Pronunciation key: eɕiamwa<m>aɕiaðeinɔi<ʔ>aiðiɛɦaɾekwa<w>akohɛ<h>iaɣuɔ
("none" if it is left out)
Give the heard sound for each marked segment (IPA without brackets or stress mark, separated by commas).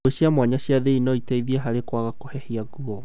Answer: ɲ, t, ɣ, h